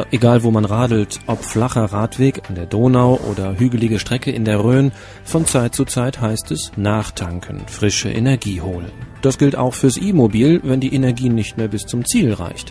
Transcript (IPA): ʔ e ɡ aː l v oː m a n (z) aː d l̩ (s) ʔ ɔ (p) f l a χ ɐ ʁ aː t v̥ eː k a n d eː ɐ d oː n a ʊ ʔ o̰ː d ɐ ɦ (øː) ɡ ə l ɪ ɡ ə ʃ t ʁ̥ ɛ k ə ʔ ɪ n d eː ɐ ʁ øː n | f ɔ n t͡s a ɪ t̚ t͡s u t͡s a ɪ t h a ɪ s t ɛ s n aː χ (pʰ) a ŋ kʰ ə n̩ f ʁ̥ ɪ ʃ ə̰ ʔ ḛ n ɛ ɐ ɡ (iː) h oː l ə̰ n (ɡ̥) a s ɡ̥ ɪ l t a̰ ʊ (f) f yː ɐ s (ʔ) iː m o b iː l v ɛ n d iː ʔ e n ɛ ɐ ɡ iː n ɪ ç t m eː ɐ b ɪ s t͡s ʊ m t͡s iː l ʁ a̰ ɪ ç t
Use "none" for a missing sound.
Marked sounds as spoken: ʁ, t, p, yː, tʰ, iː, d̥, x, ʔ

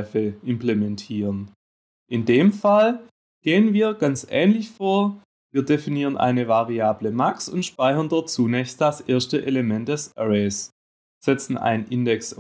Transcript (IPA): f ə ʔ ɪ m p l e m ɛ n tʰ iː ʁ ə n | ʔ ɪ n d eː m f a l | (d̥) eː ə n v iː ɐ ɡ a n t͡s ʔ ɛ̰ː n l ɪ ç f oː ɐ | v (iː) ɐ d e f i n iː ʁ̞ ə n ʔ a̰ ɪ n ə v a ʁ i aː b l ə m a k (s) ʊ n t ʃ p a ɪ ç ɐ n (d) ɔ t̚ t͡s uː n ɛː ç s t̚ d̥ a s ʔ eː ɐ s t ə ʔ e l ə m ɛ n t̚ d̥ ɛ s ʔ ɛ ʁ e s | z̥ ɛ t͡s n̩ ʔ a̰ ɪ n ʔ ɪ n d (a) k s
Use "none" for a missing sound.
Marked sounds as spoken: ɡ̥, iː, s, d, ɛ

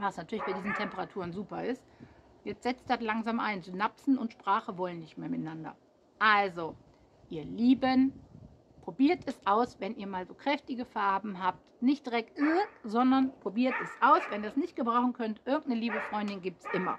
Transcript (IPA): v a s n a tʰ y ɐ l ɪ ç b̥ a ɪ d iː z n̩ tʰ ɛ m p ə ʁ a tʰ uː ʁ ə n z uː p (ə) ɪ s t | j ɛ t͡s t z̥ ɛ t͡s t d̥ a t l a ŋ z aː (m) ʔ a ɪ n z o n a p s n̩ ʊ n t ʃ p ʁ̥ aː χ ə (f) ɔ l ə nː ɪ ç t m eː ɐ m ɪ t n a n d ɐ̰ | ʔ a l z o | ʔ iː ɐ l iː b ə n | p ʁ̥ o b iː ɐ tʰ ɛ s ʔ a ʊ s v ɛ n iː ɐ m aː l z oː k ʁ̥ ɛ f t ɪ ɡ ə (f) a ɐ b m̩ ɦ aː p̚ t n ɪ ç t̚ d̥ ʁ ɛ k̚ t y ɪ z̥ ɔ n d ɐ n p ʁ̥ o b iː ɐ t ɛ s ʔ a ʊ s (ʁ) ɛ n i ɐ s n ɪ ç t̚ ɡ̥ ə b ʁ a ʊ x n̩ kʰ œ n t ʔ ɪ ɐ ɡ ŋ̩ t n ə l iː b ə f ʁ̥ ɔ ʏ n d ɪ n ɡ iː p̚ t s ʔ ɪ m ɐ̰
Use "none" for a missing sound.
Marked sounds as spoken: ɐ, m, v, f, v

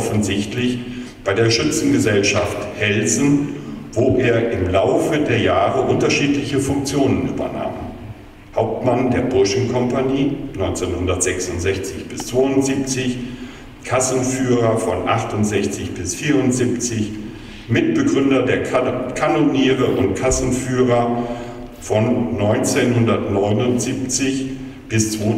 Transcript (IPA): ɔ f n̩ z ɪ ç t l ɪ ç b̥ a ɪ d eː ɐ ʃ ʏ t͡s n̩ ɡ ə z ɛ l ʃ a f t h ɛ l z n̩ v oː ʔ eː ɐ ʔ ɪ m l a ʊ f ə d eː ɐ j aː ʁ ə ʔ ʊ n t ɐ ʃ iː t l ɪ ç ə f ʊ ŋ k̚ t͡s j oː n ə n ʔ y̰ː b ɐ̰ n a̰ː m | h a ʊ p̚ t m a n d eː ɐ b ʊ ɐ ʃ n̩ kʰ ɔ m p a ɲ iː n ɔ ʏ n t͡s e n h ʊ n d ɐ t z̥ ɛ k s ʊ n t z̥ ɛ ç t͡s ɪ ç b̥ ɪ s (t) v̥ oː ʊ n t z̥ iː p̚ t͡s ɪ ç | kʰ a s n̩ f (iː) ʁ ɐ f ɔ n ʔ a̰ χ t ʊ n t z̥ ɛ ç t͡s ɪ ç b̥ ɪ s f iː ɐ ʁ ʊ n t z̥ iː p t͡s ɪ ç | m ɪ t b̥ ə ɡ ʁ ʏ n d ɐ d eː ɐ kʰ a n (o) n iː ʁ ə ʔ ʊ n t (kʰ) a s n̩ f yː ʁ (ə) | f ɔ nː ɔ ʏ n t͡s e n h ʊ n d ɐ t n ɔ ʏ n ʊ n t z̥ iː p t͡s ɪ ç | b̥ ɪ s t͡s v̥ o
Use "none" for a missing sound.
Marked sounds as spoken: t͡s, yː, o, kʰ, ɐ

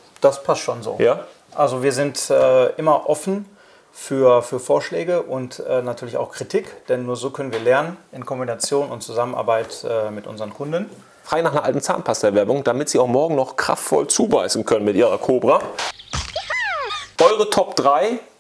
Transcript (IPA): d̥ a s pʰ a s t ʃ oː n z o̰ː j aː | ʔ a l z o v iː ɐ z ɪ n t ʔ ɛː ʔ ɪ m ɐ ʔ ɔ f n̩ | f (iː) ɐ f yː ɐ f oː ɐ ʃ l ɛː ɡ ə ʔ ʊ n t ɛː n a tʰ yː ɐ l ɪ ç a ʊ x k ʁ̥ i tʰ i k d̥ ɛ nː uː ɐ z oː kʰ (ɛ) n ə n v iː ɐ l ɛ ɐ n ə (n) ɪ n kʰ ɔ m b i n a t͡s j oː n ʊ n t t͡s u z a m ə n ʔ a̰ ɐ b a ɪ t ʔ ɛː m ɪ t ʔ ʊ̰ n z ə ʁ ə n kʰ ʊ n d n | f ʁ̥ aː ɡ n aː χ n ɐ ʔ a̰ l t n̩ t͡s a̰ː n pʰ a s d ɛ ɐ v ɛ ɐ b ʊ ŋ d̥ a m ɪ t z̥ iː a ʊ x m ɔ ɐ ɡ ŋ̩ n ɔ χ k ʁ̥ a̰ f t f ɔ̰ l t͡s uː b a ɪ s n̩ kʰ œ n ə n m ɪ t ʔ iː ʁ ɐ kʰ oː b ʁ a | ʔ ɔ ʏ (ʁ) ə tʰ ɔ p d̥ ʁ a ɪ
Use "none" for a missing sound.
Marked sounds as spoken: yː, œ, n, ʁ

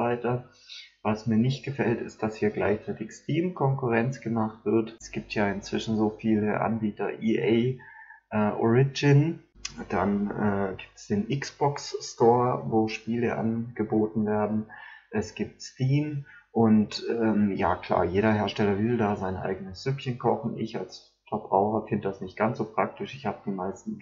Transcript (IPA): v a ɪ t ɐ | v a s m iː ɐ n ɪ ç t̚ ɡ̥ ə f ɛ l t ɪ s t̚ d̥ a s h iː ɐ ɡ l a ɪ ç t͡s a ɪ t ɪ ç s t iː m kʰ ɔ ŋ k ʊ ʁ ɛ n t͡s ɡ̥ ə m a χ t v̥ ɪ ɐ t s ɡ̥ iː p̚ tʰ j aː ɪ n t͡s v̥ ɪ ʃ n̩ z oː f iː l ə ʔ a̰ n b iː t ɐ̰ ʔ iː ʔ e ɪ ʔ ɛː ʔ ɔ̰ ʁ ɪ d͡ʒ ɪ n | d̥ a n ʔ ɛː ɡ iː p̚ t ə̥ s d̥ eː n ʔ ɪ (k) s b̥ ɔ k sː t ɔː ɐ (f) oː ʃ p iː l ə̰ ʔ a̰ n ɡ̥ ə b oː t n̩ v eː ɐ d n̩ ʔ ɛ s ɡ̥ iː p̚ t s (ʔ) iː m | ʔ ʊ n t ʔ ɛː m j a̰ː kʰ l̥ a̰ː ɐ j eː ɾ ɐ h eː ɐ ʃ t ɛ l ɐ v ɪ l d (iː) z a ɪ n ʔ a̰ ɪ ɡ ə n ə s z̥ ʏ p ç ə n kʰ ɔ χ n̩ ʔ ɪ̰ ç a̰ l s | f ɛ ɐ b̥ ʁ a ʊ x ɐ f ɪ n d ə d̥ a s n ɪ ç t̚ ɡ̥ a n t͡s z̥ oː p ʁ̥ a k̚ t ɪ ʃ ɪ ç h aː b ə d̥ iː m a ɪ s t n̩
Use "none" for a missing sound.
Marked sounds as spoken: k, v, t, aː

